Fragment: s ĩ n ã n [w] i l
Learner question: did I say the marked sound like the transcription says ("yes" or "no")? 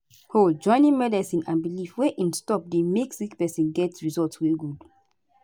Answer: no